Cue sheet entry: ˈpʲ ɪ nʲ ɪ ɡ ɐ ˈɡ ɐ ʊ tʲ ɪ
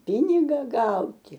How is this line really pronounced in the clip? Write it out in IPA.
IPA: ˈpʲ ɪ nʲ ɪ ɡ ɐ ˈɡ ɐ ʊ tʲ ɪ